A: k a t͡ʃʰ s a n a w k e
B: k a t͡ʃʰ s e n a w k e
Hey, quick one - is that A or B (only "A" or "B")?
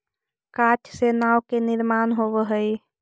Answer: B